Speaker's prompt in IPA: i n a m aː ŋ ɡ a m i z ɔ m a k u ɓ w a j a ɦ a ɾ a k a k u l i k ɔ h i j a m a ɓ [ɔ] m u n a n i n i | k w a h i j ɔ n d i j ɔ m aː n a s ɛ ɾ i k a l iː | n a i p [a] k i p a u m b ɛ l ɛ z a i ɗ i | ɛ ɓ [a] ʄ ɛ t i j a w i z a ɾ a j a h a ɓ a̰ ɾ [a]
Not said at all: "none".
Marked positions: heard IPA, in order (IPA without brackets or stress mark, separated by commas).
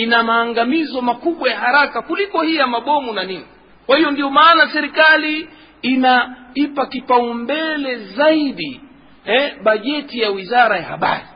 ɔ, a, a, i